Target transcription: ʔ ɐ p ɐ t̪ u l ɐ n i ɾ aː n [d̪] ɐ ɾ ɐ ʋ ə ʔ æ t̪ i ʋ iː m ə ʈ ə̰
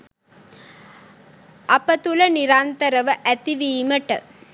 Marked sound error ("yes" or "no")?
yes